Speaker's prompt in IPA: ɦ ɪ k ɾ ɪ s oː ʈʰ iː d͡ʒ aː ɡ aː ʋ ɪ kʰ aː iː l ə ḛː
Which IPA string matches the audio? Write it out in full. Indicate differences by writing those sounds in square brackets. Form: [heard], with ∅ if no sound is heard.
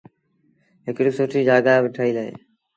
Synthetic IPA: ɦ ɪ k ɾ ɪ s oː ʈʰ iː d͡ʒ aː ɡ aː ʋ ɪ [ʈʰ] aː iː l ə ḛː